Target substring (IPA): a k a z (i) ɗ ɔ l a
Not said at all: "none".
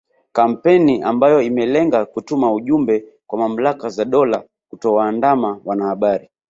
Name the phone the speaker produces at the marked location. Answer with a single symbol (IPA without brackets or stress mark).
a